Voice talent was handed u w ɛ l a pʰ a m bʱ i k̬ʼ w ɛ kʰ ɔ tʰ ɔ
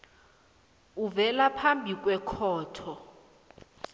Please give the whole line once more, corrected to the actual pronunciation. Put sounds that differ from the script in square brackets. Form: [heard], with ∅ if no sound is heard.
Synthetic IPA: u [v] ɛ l a pʰ a m bʱ i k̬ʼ w ɛ kʰ [ɔː] tʰ ɔ